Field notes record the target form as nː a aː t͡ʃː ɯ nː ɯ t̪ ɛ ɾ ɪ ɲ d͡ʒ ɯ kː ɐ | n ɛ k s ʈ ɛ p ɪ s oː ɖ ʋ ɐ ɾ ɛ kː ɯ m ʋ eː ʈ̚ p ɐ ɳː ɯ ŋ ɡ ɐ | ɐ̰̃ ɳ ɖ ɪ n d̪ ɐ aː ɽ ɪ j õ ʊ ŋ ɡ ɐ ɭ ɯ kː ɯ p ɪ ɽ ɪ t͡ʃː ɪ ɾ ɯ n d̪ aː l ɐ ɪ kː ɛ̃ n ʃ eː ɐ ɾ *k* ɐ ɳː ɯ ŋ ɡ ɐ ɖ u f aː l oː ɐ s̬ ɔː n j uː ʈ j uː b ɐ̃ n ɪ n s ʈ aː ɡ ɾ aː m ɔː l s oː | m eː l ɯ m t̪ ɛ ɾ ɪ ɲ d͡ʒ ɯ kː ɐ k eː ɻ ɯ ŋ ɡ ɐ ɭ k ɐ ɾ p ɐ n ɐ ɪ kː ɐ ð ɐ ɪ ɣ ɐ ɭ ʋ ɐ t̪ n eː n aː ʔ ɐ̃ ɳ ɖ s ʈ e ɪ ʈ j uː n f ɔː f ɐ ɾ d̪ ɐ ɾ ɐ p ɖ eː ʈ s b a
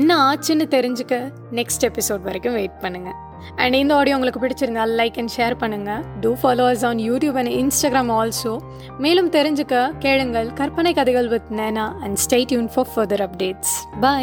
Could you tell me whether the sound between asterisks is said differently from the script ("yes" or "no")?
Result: yes